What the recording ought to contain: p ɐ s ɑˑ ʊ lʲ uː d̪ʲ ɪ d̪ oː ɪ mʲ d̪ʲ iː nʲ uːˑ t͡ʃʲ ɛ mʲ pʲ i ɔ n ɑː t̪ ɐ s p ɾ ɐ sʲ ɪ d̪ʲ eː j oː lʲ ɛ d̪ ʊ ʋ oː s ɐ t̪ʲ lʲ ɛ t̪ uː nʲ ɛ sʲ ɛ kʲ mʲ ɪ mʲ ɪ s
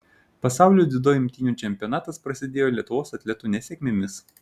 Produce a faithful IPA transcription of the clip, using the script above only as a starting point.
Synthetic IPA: p ɐ s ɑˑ ʊ lʲ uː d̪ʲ ɪ d̪ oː ɪ mʲ t̪ʲ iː nʲ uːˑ t͡ʃʲ ɛ mʲ pʲ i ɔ n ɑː t̪ ɐ s p ɾ ɐ sʲ ɪ d̪ʲ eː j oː lʲ ɛ t̪ ʊ ʋ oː s ɐ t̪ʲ lʲ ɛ t̪ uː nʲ ɛ sʲ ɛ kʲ mʲ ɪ mʲ ɪ s